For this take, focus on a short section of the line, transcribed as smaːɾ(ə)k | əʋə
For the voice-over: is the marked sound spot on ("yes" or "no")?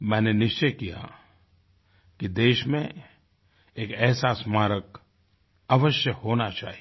yes